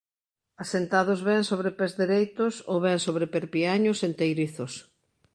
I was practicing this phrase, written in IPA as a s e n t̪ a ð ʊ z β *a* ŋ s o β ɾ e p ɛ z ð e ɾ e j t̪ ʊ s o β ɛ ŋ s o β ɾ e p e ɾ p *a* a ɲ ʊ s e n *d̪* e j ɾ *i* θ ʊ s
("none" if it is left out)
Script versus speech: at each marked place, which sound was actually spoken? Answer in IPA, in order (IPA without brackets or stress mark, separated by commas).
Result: ɛ, i, t̪, i